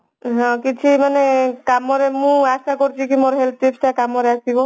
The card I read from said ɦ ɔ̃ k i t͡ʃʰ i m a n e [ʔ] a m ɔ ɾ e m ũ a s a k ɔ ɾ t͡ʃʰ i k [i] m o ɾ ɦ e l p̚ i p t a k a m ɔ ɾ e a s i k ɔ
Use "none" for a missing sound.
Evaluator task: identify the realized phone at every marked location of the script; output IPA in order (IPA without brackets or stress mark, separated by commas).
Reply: k, i